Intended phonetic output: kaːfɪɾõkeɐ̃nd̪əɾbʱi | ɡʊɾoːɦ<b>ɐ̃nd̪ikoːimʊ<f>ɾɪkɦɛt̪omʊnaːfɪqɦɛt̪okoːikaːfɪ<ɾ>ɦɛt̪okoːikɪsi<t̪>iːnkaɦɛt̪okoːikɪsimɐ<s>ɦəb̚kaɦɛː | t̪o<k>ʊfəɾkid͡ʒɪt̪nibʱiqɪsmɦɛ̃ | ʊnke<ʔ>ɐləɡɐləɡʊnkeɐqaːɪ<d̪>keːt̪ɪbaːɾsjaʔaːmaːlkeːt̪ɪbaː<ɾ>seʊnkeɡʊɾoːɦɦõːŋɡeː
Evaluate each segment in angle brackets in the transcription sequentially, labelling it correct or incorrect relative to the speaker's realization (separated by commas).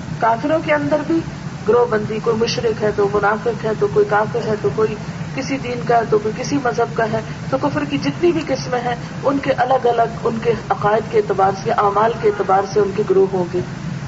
correct, incorrect, correct, incorrect, incorrect, correct, correct, correct, correct